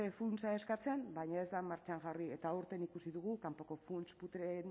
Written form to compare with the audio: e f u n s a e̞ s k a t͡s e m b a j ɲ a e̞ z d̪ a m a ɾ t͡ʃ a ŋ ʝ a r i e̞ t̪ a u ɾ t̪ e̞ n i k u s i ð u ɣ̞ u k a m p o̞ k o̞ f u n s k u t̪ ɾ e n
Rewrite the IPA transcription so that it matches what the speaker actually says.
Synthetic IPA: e f u n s a e̞ s k a t͡s e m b a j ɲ a e̞ z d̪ a m a ɾ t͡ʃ a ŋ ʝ a r i e̞ t̪ a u ɾ t̪ e̞ n i k u s i ð u ɣ̞ u k a m p o̞ k o̞ f u n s p u t̪ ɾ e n